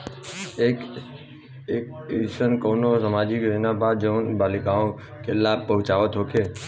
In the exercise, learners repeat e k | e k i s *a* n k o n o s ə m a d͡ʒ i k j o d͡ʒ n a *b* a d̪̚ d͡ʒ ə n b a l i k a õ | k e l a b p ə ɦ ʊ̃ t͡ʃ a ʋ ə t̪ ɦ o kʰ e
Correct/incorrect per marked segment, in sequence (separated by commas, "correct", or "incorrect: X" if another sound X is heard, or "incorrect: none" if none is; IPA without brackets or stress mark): incorrect: ə, correct